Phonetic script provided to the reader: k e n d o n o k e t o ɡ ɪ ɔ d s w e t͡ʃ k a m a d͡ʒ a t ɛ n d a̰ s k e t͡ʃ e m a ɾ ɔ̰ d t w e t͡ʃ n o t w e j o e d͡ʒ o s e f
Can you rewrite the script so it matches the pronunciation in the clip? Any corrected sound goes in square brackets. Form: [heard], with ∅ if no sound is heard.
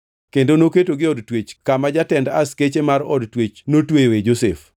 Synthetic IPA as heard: k e n d o n o k e t o ɡ ɪ ɔ d [t] w e t͡ʃ k a m a d͡ʒ a t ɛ n d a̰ s k e t͡ʃ e m a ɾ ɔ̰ d t w e t͡ʃ n o t w e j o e d͡ʒ o s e f